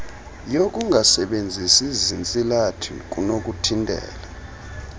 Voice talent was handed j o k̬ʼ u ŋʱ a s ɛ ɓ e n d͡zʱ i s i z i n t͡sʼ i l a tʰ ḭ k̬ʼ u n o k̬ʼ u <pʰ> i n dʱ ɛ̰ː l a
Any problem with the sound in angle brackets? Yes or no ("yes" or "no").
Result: yes